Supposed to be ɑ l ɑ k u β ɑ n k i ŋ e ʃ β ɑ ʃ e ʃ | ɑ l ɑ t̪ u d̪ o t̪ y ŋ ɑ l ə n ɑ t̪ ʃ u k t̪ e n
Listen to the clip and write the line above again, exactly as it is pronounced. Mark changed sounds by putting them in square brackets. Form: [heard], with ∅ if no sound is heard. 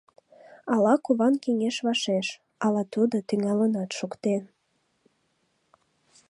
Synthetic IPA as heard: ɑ l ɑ k u β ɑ n k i ŋ e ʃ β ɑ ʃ e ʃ | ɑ l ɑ t̪ u d̪ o t̪ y ŋ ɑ l ə n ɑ t̪ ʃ u k t̪ e n